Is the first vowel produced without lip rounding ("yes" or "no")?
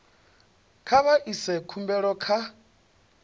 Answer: yes